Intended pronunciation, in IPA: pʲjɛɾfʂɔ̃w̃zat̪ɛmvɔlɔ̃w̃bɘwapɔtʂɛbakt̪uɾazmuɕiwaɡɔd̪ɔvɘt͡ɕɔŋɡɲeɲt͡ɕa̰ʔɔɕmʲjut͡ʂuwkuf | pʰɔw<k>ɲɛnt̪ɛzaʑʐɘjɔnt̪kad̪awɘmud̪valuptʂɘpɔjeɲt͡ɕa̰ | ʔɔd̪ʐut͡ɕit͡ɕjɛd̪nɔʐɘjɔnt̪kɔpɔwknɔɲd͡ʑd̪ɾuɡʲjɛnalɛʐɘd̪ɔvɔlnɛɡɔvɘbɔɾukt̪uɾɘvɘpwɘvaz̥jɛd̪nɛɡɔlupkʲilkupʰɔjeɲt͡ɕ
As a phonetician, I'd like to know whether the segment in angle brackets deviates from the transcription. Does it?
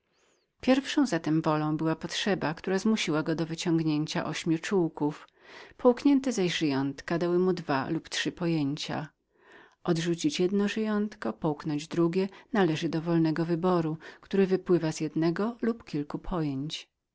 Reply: no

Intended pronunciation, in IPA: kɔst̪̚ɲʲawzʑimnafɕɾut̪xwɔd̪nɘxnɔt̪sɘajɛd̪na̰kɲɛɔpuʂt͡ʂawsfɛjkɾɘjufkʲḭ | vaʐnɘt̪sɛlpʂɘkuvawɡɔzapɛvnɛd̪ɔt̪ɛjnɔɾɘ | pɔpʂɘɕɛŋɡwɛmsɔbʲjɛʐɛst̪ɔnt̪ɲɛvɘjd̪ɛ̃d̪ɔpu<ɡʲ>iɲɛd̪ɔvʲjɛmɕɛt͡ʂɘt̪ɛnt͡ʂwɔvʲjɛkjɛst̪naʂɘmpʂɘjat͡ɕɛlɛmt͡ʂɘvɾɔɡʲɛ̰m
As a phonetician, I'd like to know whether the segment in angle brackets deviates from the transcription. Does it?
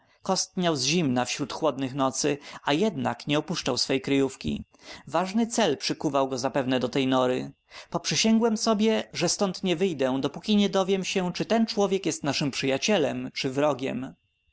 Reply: yes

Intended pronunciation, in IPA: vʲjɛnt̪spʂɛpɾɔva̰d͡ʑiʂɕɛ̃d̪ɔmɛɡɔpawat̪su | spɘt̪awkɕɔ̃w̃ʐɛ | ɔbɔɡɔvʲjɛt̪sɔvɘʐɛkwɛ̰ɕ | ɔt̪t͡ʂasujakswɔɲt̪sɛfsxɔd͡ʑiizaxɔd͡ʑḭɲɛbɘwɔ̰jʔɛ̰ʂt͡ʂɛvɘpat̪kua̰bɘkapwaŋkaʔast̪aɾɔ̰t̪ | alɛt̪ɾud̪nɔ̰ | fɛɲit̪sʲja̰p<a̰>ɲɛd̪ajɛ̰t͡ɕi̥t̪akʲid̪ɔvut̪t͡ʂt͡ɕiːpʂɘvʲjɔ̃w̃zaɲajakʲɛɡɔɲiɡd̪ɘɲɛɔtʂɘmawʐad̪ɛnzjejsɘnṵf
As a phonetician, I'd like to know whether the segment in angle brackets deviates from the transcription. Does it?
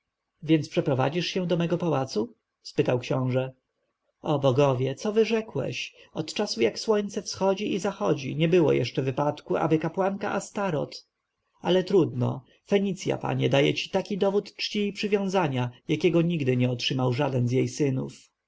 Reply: no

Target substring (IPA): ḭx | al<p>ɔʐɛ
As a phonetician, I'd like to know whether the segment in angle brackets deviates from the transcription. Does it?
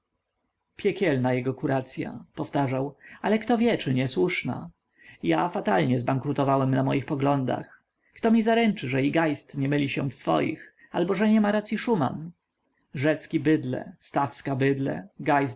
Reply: yes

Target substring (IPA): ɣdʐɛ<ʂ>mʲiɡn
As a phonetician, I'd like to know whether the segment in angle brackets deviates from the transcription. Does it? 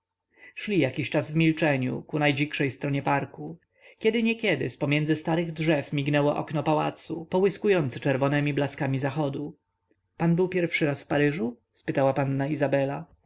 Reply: yes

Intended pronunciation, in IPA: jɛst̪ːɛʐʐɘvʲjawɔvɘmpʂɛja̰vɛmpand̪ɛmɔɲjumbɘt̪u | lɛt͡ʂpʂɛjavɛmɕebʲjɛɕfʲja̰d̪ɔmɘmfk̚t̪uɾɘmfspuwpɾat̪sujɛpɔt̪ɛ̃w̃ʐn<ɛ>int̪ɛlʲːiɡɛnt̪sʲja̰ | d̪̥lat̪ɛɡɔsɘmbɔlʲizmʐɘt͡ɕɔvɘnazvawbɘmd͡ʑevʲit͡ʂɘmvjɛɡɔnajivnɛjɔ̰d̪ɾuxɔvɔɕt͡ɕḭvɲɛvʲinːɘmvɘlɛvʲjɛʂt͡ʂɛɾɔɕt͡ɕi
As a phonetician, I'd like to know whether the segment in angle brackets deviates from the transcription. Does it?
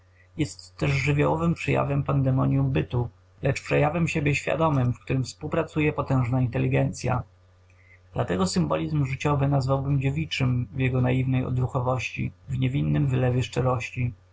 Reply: yes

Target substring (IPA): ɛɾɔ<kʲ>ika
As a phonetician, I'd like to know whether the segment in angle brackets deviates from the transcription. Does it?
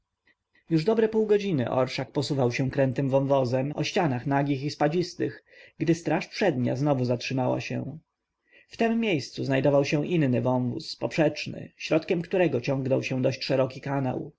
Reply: no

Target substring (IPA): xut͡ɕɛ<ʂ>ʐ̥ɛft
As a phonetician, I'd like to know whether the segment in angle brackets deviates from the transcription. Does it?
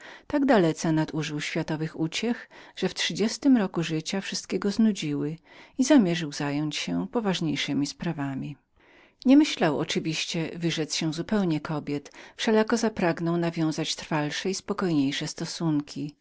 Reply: yes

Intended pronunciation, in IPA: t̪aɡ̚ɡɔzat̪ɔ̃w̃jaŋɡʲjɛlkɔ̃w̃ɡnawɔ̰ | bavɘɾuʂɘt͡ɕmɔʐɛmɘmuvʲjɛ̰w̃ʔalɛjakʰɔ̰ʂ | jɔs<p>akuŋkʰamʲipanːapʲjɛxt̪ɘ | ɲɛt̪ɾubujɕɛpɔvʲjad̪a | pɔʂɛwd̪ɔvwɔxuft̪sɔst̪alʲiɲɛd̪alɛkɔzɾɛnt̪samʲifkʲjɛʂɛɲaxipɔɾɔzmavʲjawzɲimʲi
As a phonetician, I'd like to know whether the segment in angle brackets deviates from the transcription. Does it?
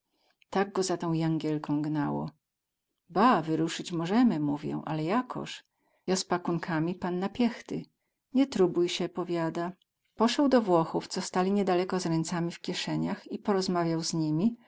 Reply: no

